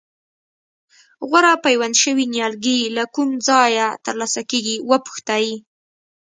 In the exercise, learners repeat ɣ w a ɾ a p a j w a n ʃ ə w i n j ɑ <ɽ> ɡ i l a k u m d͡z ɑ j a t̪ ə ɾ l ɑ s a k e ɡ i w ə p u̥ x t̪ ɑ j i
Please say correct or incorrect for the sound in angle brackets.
incorrect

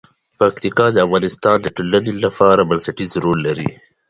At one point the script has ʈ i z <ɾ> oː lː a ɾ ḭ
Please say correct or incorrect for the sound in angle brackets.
correct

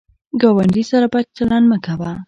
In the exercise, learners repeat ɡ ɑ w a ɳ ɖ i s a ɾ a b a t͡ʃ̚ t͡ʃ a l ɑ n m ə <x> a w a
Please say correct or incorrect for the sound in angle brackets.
incorrect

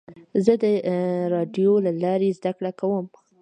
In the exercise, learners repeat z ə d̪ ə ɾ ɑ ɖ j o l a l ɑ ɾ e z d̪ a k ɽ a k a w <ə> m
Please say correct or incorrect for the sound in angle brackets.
correct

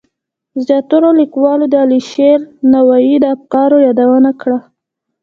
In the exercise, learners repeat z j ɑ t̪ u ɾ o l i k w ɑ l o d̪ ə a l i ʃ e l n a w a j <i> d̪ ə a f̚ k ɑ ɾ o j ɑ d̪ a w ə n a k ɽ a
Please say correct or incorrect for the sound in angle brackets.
correct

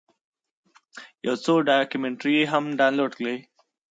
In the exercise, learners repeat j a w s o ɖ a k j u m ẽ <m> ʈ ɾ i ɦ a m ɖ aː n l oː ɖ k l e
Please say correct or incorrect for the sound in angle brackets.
incorrect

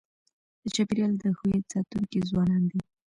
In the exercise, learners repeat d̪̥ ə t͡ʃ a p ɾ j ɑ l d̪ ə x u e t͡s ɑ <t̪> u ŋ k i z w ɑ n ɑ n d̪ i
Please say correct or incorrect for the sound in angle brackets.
correct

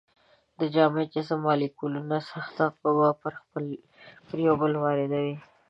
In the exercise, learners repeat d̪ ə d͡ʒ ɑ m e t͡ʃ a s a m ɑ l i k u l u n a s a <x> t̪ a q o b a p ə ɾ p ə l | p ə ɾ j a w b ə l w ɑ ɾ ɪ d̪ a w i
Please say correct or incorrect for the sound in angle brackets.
correct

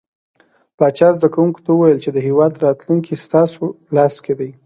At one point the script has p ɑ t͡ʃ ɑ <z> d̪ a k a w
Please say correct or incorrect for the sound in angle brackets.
correct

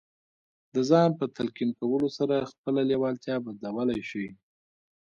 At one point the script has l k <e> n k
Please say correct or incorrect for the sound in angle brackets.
incorrect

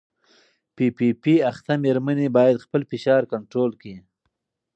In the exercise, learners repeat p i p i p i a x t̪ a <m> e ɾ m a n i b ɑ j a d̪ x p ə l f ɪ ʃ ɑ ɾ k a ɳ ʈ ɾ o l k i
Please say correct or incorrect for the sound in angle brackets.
correct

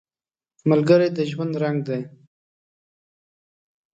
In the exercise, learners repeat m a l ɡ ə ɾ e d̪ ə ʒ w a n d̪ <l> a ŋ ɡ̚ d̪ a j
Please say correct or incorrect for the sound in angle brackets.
incorrect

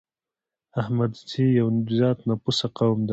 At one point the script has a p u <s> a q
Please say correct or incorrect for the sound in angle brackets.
correct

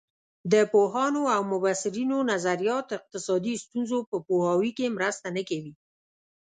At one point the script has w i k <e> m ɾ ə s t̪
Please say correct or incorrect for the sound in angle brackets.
correct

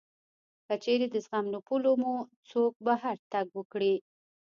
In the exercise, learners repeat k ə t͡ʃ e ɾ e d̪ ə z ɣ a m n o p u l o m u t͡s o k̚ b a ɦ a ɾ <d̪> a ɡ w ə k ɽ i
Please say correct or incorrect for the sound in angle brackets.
incorrect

